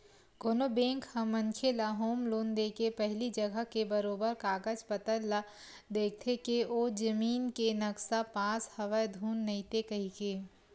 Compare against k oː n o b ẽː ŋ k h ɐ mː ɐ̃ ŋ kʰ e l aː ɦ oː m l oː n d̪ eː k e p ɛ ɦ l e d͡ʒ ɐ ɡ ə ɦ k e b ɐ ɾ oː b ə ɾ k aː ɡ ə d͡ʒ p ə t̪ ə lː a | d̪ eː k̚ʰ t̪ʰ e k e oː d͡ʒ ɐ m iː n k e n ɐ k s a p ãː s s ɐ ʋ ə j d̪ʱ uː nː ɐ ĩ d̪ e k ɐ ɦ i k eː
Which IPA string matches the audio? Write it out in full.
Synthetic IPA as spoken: k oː n o b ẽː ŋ k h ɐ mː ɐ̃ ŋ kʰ e l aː ɦ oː m l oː n d̪ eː k e p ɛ ɦ l i d͡ʒ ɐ ɡ ə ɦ k e b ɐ ɾ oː b ə ɾ k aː ɡ ə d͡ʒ p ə t̪ ə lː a | d̪ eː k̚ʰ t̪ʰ e k e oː d͡ʒ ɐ m iː n k e n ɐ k s a p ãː s h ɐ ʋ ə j d̪ʱ uː nː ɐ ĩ t̪ e k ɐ ɦ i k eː